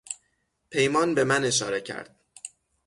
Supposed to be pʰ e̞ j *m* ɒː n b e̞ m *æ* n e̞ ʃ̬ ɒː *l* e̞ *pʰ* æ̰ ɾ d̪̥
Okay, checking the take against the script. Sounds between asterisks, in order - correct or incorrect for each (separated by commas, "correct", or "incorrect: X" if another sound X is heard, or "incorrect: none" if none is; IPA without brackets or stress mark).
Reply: correct, correct, incorrect: ɾ, incorrect: cʰ